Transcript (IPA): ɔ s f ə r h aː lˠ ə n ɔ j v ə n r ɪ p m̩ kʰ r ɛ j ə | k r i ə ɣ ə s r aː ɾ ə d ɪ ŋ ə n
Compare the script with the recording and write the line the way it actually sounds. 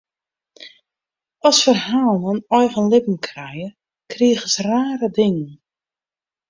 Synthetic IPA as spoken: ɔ s f ə r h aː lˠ ə n ɔ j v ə n l ɪ p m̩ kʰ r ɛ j ə | k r i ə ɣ ə s r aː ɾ ə d ɪ ŋ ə n